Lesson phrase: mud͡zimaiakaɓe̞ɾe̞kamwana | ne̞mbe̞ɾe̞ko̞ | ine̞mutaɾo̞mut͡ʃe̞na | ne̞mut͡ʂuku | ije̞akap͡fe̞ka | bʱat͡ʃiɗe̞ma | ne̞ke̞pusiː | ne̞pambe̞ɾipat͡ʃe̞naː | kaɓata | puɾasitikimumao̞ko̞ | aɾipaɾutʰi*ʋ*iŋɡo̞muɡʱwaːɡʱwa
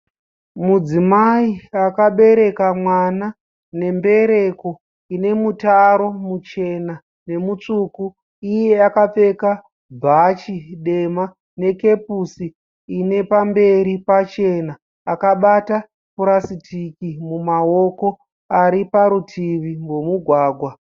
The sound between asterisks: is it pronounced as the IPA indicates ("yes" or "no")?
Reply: yes